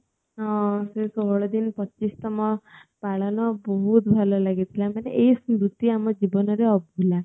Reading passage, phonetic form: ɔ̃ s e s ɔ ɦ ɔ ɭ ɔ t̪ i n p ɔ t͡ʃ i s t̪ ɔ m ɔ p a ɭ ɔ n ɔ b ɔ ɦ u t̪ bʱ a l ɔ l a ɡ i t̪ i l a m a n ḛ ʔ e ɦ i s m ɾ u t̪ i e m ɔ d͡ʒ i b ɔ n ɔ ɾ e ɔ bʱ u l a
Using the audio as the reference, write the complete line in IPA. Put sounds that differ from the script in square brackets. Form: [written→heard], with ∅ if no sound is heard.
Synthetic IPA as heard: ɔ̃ s e s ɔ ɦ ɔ ɭ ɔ [t̪→d̪] i n p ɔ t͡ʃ i s t̪ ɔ m ɔ p a ɭ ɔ n ɔ b ɔ ɦ u t̪ bʱ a l ɔ l a ɡ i [t̪→t̪ʰ] i l a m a n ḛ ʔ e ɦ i s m ɾ u t̪ i [e→a] m ɔ d͡ʒ i b ɔ n ɔ ɾ e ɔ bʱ u l a